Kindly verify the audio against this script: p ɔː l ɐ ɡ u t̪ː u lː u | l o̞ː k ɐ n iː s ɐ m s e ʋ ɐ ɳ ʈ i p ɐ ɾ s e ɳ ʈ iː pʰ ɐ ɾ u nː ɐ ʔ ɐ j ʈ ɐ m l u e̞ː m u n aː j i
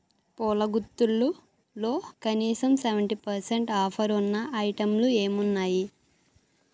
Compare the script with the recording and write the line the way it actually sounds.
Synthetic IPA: p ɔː l ɐ ɡ u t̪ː u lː u | l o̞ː k ɐ n iː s ɐ m s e ʋ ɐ ɳ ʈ i p ɐ ɾ s e ɳ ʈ aː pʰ ɐ ɾ u nː ɐ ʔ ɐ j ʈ ɐ m l u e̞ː m u nː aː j i